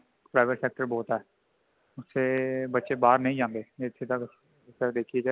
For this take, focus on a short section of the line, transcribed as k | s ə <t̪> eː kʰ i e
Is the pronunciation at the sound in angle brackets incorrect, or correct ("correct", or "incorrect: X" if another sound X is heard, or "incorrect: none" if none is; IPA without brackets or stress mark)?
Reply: incorrect: d̪